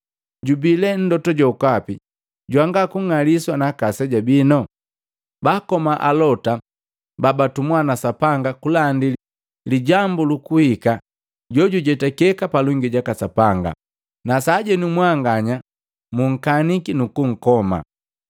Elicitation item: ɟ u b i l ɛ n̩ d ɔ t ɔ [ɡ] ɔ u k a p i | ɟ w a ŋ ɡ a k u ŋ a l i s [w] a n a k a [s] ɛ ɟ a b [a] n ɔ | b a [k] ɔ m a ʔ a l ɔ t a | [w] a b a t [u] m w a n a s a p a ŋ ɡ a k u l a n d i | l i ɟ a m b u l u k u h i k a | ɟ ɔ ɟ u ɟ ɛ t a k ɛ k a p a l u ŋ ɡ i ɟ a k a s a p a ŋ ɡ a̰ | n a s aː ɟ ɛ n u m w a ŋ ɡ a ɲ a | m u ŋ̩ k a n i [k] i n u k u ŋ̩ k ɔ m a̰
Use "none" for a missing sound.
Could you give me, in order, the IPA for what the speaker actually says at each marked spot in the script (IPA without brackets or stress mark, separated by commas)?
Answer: ɟ, w, s, i, k, b, u, k